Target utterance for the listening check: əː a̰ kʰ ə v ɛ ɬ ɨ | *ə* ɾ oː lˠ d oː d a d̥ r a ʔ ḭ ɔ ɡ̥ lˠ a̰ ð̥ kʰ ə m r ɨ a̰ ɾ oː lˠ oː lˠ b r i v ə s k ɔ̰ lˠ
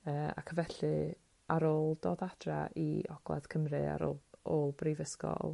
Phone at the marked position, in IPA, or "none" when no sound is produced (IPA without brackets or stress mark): a